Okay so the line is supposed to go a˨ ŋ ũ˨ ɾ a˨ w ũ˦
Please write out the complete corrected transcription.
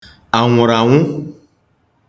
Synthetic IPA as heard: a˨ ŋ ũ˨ ɾ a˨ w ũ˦